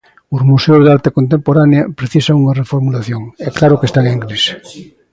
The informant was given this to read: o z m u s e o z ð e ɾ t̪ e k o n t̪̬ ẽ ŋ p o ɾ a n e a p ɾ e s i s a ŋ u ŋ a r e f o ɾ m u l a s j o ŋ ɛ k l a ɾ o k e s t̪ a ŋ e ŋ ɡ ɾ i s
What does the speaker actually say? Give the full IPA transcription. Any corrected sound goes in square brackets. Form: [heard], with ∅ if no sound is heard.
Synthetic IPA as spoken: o z m u s e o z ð [a] ɾ t̪ e k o n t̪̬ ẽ [m] p o ɾ a n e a p ɾ e [θ] i s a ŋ u ŋ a r e f o ɾ m u l a [θ] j o ŋ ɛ k l a ɾ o k e s t̪ a ŋ e ŋ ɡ ɾ i s